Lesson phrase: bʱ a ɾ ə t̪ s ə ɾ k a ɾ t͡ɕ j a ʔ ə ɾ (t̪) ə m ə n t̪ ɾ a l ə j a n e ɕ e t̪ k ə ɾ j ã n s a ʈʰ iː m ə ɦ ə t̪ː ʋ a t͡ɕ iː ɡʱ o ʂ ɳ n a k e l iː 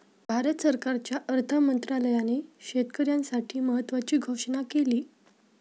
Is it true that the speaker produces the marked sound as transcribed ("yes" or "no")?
no